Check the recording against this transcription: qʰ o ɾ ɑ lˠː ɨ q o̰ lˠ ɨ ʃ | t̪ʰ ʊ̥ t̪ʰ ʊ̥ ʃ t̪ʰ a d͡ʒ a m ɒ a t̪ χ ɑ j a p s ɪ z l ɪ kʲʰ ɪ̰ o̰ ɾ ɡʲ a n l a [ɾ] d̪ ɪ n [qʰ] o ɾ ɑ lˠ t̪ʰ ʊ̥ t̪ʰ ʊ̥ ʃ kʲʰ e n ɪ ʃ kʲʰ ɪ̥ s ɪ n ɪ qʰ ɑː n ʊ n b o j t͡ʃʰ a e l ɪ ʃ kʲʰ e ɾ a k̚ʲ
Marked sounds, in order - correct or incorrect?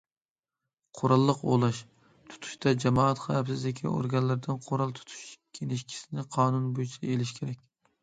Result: correct, correct

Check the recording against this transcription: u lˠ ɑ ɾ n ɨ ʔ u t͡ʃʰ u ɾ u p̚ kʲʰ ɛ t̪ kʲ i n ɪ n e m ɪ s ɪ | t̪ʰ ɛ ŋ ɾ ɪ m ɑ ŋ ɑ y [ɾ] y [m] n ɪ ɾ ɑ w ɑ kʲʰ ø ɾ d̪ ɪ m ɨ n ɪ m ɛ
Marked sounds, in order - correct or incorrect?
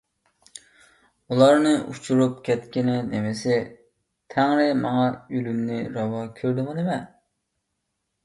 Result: incorrect, correct

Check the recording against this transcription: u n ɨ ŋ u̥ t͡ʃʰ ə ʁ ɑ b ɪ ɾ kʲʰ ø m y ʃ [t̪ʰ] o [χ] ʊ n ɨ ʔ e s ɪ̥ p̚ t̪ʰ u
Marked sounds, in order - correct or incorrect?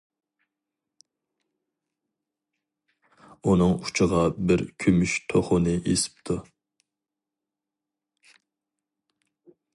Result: correct, correct

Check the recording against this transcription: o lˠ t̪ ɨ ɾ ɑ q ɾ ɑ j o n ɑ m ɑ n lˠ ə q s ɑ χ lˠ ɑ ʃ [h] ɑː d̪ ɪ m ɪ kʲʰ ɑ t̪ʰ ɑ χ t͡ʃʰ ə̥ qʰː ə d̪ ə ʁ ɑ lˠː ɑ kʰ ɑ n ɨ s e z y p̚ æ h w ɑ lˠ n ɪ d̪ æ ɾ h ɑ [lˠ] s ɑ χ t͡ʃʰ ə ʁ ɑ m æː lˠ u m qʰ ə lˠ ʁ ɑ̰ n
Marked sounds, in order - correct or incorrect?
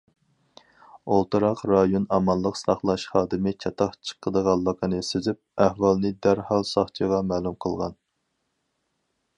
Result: incorrect, correct

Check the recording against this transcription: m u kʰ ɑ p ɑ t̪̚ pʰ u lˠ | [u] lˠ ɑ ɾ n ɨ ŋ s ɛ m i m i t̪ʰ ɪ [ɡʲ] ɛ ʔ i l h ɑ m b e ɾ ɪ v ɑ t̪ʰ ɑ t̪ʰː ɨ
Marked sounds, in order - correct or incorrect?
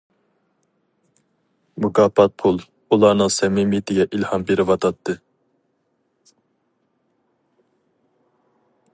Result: correct, correct

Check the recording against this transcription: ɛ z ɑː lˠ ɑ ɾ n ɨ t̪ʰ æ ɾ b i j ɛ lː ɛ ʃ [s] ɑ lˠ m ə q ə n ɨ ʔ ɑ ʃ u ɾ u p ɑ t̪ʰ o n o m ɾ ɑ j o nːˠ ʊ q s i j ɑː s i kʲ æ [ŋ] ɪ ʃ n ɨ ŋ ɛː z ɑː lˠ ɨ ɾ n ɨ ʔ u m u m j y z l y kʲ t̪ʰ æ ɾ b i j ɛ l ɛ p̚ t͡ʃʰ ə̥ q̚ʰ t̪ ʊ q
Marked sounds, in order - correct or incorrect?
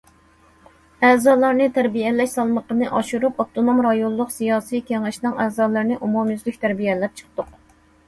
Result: correct, correct

